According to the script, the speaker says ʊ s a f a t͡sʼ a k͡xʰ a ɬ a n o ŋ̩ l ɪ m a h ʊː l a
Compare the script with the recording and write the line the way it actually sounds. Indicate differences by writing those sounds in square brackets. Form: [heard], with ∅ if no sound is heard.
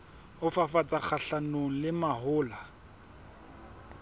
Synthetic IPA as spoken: ʊ [f] a f a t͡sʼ a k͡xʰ a ɬ a n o ŋ̩ l ɪ m a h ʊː l a